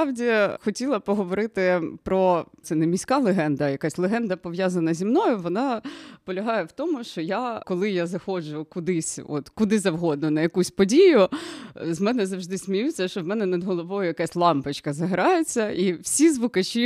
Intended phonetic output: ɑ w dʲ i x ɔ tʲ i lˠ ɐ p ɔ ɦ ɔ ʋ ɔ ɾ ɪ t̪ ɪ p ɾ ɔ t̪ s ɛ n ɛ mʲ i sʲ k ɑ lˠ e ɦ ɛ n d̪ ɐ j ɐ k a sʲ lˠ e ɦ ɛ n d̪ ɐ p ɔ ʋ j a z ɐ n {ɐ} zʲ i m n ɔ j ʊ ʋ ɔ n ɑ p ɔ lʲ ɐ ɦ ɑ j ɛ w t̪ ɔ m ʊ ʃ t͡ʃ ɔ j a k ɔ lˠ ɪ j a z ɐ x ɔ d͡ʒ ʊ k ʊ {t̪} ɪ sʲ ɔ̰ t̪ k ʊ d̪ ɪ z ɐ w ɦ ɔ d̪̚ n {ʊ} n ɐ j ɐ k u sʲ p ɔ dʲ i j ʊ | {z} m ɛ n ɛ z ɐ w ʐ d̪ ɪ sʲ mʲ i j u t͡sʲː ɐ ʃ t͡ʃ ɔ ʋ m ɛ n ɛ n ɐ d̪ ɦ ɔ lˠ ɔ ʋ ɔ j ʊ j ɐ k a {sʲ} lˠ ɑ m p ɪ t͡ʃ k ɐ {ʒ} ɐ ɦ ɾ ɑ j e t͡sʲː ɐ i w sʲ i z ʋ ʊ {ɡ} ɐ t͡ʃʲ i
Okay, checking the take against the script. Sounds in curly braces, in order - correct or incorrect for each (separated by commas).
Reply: correct, incorrect, correct, correct, correct, incorrect, incorrect